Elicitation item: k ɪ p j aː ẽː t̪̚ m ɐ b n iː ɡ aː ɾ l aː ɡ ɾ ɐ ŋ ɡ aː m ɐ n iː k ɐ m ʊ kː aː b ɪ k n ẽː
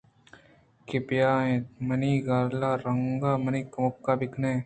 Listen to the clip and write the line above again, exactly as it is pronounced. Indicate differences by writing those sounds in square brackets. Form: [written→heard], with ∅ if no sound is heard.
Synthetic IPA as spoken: k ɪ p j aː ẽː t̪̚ m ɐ [b→∅] n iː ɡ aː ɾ l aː [ɡ→∅] ɾ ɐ ŋ ɡ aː m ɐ n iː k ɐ m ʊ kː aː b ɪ k n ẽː